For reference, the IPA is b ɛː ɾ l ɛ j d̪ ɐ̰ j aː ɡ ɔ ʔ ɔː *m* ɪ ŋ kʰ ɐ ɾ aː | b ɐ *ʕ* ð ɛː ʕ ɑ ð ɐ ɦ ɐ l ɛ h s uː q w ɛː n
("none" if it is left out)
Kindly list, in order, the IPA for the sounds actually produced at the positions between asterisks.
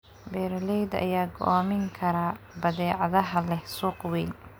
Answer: m, none

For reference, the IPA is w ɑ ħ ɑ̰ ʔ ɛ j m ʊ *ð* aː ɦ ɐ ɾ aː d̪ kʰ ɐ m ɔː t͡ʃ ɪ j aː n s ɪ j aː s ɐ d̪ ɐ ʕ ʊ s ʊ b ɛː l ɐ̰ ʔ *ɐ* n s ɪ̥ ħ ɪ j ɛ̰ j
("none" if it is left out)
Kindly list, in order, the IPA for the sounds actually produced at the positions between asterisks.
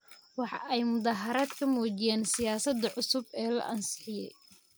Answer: ð, ɐ

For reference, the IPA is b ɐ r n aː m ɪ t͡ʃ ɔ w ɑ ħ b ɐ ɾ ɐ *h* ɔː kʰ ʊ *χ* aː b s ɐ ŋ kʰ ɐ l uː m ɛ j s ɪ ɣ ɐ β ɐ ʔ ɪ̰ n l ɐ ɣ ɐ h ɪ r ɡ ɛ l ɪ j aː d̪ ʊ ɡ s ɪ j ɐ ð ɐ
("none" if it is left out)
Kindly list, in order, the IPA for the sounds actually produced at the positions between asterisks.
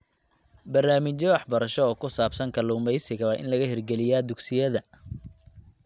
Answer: ʃ, s

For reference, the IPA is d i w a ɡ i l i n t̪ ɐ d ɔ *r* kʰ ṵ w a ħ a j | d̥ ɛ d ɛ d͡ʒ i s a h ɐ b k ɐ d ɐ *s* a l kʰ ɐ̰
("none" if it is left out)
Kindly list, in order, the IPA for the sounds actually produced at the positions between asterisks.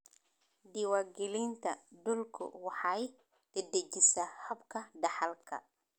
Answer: l, ħ

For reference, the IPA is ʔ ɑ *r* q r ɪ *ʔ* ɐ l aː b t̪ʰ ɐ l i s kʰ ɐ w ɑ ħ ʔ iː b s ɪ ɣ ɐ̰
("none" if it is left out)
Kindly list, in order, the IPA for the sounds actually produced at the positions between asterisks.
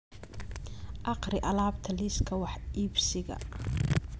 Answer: none, ʔ

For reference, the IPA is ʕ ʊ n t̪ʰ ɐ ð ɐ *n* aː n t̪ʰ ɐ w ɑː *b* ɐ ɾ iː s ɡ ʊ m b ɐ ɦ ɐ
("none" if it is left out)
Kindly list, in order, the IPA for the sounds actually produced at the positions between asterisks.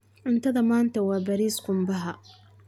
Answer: m, b

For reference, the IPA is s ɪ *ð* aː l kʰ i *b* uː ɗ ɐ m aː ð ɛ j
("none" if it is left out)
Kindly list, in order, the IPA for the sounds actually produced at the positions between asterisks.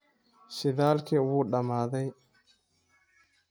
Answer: ð, w

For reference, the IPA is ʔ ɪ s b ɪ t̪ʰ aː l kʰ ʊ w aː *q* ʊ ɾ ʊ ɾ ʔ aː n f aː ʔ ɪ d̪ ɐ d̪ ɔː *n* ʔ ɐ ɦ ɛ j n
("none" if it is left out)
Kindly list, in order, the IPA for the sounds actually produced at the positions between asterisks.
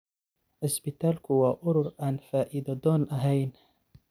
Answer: ʔ, n

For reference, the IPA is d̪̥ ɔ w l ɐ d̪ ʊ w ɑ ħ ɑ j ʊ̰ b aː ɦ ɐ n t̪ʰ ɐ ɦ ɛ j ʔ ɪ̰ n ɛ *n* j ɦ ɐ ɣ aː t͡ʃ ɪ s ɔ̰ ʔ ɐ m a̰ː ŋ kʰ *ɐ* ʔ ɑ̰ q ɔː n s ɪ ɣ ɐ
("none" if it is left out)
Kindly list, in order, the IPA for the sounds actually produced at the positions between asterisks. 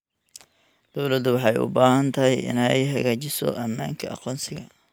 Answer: none, ɐ

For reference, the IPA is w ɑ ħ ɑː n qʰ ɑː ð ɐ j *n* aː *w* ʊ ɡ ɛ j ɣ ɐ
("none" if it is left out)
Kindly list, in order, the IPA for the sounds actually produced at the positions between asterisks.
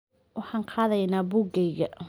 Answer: n, b

